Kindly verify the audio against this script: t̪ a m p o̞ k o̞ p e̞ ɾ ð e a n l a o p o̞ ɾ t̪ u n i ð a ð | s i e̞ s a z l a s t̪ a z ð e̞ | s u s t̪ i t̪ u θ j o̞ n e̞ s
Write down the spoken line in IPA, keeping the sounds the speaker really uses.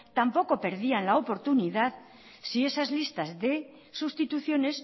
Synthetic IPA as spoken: t̪ a m p o̞ k o̞ p e̞ ɾ ð i a n l a o p o̞ ɾ t̪ u n i ð a ð | s i e̞ s a z l i s t̪ a z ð e̞ | s u s t̪ i t̪ u θ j o̞ n e̞ s